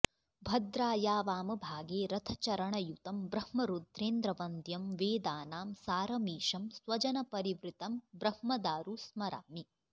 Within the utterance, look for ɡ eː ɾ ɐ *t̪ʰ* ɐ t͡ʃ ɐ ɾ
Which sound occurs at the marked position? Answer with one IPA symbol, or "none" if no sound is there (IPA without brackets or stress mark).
t̪ʰ